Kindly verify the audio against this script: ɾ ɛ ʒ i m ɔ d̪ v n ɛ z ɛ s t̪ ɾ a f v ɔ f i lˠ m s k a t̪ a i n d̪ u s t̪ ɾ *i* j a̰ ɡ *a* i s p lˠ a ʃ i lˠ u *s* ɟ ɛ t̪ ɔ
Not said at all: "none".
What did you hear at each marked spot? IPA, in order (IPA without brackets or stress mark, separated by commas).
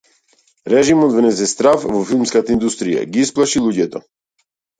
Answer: i, i, none